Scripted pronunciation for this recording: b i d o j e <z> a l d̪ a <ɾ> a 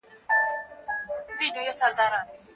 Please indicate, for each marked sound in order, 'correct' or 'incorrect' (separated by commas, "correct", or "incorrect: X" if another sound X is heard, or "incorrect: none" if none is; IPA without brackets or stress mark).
incorrect: s, correct